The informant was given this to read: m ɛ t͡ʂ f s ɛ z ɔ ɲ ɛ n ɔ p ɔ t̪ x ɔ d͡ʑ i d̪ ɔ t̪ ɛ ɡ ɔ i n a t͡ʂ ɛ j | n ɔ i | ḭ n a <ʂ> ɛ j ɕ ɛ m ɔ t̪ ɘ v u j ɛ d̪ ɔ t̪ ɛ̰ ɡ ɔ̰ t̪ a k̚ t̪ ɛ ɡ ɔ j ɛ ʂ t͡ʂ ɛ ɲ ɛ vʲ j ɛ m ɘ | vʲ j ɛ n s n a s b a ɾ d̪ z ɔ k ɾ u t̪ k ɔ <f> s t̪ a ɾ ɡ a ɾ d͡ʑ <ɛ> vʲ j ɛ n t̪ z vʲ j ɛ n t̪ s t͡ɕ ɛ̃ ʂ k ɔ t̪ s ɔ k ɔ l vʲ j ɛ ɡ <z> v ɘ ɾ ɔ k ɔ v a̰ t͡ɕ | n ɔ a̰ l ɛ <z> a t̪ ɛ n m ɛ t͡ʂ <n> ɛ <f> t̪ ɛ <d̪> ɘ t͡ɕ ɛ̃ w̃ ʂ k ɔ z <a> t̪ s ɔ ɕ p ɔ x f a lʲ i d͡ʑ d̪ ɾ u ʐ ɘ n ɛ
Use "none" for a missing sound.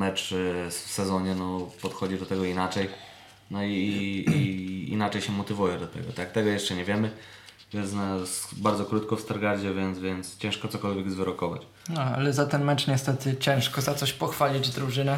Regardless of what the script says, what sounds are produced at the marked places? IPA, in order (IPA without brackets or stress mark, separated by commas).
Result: t͡ʂ, f, ɛ, z, z, ɲ, s, t̪, a